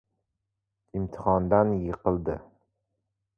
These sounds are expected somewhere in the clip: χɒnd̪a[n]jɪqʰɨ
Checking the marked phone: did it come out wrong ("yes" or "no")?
no